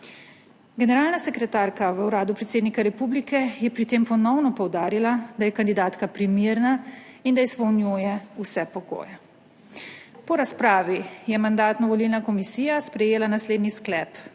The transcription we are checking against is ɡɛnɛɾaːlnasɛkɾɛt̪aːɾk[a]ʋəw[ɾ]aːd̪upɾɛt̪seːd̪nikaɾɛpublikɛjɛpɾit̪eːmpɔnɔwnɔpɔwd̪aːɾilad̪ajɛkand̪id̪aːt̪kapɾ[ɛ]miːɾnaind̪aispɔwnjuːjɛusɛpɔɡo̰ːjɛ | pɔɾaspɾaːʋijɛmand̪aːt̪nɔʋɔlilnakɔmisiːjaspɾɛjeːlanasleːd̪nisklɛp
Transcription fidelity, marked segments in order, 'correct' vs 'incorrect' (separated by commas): correct, correct, incorrect